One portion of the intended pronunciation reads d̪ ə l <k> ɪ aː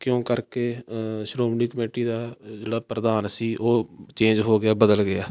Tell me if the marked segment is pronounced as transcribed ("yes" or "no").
no